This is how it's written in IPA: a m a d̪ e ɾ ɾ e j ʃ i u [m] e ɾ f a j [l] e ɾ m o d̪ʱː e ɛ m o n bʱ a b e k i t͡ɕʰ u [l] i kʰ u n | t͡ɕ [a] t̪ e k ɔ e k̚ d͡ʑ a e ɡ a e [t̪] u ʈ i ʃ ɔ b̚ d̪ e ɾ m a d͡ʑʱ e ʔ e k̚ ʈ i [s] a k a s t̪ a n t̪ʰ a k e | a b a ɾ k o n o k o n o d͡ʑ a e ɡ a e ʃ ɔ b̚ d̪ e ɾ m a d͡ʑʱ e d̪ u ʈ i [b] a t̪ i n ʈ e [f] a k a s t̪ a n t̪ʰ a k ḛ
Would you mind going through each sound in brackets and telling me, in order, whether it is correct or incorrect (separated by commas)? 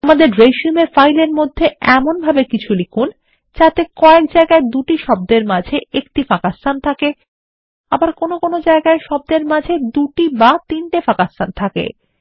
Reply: correct, correct, correct, correct, incorrect, incorrect, correct, correct